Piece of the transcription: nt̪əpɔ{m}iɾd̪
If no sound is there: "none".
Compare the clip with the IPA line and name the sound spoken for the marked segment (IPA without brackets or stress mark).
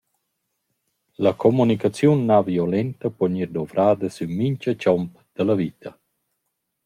ɲ